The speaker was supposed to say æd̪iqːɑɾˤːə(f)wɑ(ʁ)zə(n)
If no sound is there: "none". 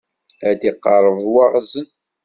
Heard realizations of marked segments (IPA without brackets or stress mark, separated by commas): v, ʁ, n